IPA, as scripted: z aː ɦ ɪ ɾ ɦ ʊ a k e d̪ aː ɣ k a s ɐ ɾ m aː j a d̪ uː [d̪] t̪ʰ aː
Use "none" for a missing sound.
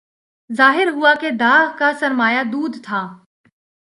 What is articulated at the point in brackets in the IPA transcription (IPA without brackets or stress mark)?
d̪